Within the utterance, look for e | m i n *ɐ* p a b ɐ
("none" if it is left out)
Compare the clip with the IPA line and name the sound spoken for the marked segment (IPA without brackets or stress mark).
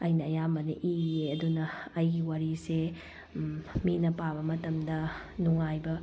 ɐ